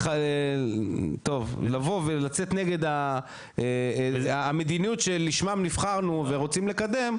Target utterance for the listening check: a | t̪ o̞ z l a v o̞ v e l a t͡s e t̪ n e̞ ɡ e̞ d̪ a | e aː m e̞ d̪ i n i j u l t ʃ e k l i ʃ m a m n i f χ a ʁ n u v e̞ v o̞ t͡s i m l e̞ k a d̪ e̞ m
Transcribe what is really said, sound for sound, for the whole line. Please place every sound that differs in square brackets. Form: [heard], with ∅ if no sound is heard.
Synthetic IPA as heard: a | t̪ o̞ [v] l a v o̞ v e l a t͡s e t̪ n e̞ ɡ e̞ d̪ a | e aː m e̞ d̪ i n i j u [∅] t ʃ e [∅] l i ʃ m a m n i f χ a ʁ n u v e̞ [ʁ] o̞ t͡s i m l e̞ k a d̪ e̞ m